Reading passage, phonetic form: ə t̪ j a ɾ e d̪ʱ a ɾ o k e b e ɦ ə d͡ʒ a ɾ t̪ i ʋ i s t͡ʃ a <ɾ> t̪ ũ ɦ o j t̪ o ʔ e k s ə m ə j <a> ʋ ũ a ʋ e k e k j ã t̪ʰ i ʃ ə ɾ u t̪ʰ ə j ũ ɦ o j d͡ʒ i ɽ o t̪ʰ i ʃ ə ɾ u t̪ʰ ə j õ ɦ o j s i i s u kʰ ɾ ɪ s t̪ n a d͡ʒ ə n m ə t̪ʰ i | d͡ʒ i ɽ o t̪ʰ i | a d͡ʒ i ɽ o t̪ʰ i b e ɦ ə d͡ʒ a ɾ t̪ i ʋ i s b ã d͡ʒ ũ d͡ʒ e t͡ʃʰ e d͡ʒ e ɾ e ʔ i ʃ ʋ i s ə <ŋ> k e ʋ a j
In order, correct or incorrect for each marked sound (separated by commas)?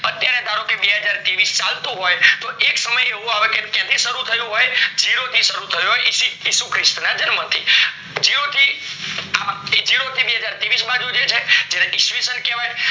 incorrect, incorrect, incorrect